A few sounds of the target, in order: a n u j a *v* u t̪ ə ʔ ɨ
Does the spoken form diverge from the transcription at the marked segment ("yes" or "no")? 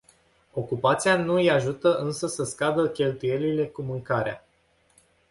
yes